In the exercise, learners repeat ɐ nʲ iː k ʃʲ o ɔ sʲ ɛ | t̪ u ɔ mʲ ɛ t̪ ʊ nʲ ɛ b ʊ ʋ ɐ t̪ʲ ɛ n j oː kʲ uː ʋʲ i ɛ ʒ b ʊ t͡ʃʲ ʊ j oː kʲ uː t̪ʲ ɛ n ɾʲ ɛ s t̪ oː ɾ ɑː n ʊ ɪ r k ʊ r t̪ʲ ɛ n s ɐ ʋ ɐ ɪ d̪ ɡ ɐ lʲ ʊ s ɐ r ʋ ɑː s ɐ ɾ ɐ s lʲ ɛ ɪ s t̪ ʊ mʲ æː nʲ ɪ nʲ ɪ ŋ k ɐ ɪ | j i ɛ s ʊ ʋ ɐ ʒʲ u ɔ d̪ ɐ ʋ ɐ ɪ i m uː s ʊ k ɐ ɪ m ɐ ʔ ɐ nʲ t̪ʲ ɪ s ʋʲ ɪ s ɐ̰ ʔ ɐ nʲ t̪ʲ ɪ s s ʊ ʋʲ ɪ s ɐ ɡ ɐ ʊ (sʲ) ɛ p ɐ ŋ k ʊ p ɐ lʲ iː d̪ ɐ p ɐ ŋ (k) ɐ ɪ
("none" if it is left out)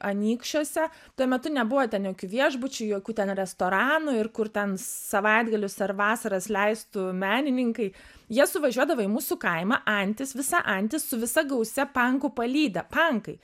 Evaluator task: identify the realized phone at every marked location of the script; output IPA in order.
sʲ, k

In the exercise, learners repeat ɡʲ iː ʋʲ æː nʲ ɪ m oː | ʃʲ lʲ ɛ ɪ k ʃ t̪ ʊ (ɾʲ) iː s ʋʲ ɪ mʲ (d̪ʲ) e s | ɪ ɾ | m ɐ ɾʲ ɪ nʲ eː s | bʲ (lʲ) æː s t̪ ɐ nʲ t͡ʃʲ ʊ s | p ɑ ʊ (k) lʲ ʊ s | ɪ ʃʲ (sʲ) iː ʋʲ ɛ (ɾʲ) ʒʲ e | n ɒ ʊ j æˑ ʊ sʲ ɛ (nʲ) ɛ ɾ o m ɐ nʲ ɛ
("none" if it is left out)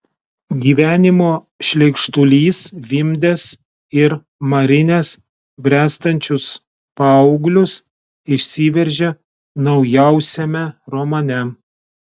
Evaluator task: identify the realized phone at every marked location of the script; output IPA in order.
lʲ, d̪ʲ, ɾʲ, ɡ, sʲ, ɾʲ, mʲ

